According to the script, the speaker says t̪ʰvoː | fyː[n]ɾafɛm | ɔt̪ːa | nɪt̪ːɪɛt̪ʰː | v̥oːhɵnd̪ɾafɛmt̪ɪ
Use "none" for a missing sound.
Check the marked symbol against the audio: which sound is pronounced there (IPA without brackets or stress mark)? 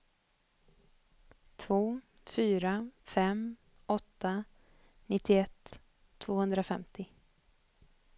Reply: none